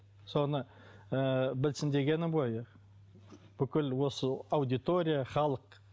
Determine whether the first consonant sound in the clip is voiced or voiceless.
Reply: voiceless